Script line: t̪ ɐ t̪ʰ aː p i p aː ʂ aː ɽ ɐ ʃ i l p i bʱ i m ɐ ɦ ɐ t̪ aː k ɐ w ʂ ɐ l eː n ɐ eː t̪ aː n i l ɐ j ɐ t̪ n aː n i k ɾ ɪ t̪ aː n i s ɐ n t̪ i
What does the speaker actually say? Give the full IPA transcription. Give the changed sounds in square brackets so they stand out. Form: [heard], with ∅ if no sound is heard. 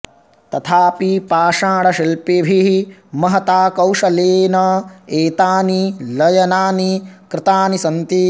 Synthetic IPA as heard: t̪ ɐ t̪ʰ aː p i p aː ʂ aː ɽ ɐ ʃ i l p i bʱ i m ɐ ɦ ɐ t̪ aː k ɐ w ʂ ɐ l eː n ɐ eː t̪ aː n i l ɐ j ɐ [∅] n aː n i k ɾ ɪ t̪ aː n i s ɐ n t̪ i

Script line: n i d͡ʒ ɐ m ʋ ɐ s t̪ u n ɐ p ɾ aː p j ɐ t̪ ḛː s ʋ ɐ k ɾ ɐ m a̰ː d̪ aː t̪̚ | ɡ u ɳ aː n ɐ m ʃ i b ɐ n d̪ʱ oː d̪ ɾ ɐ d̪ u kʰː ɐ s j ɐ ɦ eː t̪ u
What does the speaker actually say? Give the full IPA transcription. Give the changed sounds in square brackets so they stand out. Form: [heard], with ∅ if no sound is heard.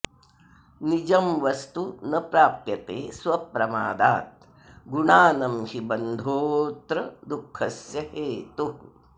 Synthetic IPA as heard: n i d͡ʒ ɐ m ʋ ɐ s t̪ u n ɐ p ɾ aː p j ɐ t̪ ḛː s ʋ ɐ [p] ɾ ɐ m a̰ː d̪ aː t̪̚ | ɡ u ɳ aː n ɐ m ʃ i b ɐ n d̪ʱ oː [t̪] ɾ ɐ d̪ u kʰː ɐ s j ɐ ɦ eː t̪ u

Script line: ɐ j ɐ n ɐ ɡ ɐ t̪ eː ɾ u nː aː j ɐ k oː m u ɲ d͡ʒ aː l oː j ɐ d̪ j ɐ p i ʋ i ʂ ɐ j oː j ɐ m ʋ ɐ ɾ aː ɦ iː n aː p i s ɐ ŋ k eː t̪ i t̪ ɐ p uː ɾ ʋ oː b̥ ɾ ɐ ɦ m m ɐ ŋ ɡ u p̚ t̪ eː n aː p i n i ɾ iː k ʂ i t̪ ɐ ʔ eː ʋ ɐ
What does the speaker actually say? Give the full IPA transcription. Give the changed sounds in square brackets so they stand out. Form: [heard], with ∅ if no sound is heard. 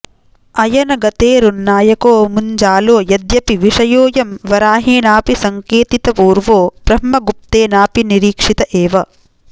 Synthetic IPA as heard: ɐ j ɐ n ɐ ɡ ɐ t̪ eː ɾ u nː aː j ɐ k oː m u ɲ d͡ʒ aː l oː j ɐ d̪ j ɐ p i ʋ i ʂ ɐ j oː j ɐ m ʋ ɐ ɾ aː ɦ iː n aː p i s ɐ ŋ k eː t̪ i t̪ ɐ p uː ɾ ʋ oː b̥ ɾ ɐ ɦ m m ɐ [∅] ɡ u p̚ t̪ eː n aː p i n i ɾ iː k ʂ i t̪ ɐ ʔ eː ʋ ɐ

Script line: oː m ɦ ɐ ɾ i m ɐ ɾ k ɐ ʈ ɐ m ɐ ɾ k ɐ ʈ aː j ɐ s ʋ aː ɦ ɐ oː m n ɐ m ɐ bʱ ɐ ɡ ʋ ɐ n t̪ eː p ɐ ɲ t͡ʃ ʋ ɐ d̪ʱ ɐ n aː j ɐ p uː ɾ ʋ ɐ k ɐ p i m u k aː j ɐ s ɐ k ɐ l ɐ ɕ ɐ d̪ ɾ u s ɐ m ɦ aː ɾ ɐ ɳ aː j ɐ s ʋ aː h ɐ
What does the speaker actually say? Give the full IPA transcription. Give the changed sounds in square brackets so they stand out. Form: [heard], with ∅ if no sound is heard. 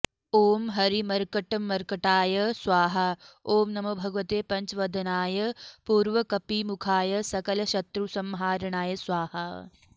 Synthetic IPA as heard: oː m ɦ ɐ ɾ i m ɐ ɾ k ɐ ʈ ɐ m ɐ ɾ k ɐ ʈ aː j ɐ s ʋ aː ɦ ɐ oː m n ɐ m ɐ bʱ ɐ ɡ ʋ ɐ [∅] t̪ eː p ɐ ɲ t͡ʃ ʋ ɐ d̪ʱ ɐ n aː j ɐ p uː ɾ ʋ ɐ k ɐ p i m u [kʰ] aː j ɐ s ɐ k ɐ l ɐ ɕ ɐ [t̪] ɾ u s ɐ m ɦ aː ɾ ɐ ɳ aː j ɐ s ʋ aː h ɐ

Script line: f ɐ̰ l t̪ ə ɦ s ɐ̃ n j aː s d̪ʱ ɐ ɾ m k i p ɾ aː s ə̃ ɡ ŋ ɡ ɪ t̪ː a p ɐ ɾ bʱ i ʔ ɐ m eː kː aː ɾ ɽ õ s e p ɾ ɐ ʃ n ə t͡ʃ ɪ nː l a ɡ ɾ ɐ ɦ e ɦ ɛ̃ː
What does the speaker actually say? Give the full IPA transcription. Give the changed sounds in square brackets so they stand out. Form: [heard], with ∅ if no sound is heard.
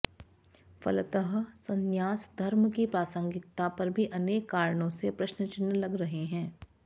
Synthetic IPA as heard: f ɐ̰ l t̪ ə ɦ s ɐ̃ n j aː s d̪ʱ ɐ ɾ m k i p ɾ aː s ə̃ [∅] ŋ ɡ ɪ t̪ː a p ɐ ɾ bʱ i ʔ ɐ [n] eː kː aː ɾ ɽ õ s e p ɾ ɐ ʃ n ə t͡ʃ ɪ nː l [ɐ] ɡ ɾ ɐ ɦ e ɦ ɛ̃ː

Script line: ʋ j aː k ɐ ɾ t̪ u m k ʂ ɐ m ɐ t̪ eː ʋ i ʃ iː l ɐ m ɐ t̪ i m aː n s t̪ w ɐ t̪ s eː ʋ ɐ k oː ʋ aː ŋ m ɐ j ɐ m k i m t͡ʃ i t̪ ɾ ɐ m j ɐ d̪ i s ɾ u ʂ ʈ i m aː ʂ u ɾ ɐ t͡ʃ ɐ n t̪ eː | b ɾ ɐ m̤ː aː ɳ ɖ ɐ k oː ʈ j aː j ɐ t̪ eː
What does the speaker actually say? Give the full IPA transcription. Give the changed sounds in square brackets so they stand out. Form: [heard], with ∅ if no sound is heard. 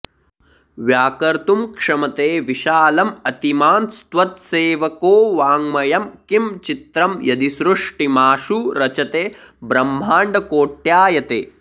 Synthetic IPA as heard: ʋ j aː k ɐ ɾ t̪ u m k ʂ ɐ m ɐ t̪ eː ʋ i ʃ [aː] l ɐ m ɐ t̪ i m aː n s t̪ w ɐ t̪ s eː ʋ ɐ k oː ʋ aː ŋ m ɐ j ɐ m k i m t͡ʃ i t̪ ɾ ɐ m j ɐ d̪ i s ɾ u ʂ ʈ i m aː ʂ u ɾ ɐ t͡ʃ ɐ [∅] t̪ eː | b ɾ ɐ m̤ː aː ɳ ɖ ɐ k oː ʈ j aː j ɐ t̪ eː

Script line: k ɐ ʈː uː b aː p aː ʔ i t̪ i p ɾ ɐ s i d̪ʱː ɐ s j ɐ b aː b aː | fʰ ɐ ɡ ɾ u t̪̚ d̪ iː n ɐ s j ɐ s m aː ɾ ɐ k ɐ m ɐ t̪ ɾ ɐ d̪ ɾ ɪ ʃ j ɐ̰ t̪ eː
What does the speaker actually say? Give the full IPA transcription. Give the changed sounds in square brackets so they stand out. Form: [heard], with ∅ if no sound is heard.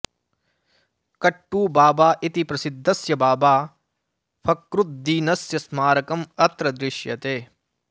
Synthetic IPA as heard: k ɐ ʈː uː b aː [b] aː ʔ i t̪ i p ɾ ɐ s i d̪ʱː ɐ s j ɐ b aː b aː | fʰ ɐ [k] ɾ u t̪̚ d̪ iː n ɐ s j ɐ s m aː ɾ ɐ k ɐ m ɐ t̪ ɾ ɐ d̪ ɾ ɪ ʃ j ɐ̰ t̪ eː

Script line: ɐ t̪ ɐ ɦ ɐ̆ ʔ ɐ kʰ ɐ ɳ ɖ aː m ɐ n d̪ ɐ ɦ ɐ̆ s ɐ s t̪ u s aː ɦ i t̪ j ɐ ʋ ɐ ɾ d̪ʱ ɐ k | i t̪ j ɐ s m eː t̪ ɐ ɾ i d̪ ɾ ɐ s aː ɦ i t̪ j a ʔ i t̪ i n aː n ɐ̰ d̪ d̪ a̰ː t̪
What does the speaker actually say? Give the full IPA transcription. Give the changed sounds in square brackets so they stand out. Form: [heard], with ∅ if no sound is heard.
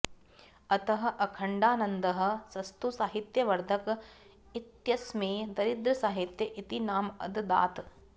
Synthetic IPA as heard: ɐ t̪ ɐ ɦ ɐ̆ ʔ ɐ kʰ ɐ ɳ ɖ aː [n] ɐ n d̪ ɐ ɦ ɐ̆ s ɐ s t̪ u s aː ɦ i t̪ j ɐ ʋ ɐ ɾ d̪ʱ ɐ k | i t̪ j ɐ s m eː [d̪] ɐ ɾ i d̪ ɾ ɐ s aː ɦ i t̪ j [ɐ] ʔ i t̪ i n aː [m] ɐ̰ d̪ d̪ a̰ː t̪

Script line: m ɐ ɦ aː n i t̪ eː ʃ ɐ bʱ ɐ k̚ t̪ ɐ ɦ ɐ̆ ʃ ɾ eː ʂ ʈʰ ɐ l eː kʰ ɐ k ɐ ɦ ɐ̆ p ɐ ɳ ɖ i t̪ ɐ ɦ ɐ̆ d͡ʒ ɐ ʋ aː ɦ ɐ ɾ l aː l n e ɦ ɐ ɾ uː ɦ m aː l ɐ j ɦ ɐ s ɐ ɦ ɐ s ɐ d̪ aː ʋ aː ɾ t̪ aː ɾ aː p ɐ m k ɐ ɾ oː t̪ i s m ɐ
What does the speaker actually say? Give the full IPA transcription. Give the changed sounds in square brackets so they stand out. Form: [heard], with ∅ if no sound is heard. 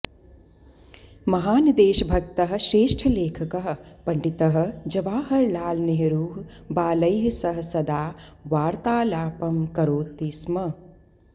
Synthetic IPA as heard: m ɐ ɦ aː n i [d̪] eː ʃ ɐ bʱ ɐ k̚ t̪ ɐ ɦ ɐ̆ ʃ ɾ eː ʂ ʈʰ ɐ l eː kʰ ɐ k ɐ ɦ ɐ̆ p ɐ ɳ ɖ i t̪ ɐ ɦ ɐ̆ d͡ʒ ɐ ʋ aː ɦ ɐ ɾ l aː l n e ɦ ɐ ɾ uː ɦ [b] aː l ɐ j ɦ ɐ s ɐ ɦ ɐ s ɐ d̪ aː ʋ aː ɾ t̪ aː [l] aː p ɐ m k ɐ ɾ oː t̪ i s m ɐ

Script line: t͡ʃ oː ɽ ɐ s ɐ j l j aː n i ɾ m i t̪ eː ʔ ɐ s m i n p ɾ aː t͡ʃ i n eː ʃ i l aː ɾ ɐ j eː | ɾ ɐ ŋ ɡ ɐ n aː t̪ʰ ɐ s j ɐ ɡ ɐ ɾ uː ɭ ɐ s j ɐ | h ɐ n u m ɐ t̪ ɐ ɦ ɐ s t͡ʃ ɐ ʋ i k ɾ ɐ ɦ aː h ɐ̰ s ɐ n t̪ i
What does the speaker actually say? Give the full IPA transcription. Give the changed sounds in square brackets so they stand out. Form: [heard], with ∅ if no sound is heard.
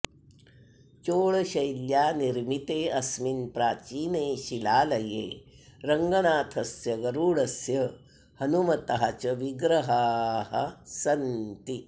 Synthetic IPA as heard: t͡ʃ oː [ɭ] ɐ [ʃ] ɐ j l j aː n i ɾ m i t̪ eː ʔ ɐ s m i n p ɾ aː t͡ʃ [iː] n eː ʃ i l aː [l] ɐ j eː | ɾ ɐ ŋ ɡ ɐ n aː t̪ʰ ɐ s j ɐ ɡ ɐ ɾ uː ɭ ɐ s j ɐ | h ɐ n u m ɐ t̪ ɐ ɦ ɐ [∅] t͡ʃ ɐ ʋ i [ɡ] ɾ ɐ ɦ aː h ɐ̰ s ɐ n t̪ i

